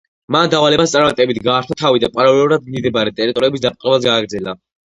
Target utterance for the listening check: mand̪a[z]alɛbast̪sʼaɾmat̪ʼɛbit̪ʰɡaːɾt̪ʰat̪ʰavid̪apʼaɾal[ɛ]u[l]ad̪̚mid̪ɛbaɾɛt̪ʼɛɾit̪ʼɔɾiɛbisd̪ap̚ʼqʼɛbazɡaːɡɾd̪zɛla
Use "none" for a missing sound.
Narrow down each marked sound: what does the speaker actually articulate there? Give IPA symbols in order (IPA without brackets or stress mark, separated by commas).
v, ɛ, ɾ